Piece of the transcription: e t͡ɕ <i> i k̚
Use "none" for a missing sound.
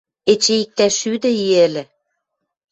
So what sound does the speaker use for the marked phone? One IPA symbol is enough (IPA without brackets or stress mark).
e